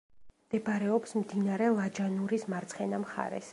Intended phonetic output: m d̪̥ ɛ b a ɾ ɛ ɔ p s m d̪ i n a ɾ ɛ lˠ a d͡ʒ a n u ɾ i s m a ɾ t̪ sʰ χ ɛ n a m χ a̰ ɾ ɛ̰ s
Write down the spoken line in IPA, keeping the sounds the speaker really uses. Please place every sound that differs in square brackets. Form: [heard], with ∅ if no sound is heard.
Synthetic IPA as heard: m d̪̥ ɛ b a ɾ ɛ ɔ p s m d̪ i n a ɾ ɛ lˠ a d͡ʒ a n u ɾ i s m a ɾ t̪ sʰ χ ɛ n a m χ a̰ ɾ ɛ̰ s